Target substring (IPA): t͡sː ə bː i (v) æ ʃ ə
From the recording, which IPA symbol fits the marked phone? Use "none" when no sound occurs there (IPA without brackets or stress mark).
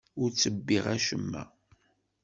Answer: ʁ